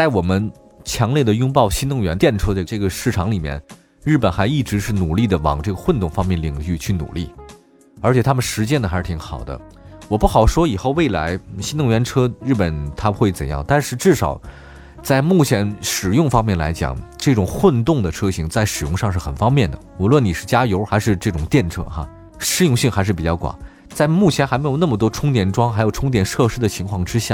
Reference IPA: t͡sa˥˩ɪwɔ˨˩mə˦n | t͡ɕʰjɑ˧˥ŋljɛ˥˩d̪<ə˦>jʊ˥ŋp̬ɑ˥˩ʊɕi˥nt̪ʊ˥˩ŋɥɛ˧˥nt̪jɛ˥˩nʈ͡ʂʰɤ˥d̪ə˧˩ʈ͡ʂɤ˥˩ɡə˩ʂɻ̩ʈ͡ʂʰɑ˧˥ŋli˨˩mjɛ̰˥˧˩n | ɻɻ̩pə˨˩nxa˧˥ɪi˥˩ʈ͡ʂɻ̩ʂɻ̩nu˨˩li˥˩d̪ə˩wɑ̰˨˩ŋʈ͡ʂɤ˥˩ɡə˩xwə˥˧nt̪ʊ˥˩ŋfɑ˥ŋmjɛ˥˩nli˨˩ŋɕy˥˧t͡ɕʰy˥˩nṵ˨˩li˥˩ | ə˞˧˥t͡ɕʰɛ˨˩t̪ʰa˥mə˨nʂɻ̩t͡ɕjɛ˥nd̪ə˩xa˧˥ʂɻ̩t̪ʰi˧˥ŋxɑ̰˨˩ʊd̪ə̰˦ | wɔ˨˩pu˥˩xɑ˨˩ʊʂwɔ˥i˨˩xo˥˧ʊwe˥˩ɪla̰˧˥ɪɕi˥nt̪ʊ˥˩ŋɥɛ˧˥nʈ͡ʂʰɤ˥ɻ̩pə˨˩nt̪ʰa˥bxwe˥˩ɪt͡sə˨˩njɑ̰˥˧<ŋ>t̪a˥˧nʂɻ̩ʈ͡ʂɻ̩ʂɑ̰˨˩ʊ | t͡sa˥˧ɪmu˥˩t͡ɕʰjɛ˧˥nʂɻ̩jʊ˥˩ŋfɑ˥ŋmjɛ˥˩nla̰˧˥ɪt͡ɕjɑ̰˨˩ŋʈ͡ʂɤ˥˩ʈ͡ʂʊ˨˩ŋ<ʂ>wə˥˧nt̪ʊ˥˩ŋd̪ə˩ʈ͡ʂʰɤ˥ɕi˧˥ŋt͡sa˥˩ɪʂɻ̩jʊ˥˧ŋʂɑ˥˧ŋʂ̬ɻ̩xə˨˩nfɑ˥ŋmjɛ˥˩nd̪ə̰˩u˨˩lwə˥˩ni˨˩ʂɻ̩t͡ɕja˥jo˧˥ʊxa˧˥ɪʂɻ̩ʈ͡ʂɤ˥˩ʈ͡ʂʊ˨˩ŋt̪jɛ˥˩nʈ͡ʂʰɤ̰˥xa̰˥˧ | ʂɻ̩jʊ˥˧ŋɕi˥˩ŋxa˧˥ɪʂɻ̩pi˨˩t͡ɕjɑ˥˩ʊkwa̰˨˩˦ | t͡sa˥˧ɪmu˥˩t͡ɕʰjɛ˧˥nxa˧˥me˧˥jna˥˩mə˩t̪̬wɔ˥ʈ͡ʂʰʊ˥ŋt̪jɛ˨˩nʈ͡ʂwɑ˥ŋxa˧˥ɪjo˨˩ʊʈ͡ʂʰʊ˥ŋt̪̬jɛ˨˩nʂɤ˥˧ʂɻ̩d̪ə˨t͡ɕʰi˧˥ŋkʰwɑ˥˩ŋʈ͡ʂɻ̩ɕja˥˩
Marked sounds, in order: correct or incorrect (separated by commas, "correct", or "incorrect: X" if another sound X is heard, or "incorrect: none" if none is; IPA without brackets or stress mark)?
incorrect: ə˩, correct, incorrect: x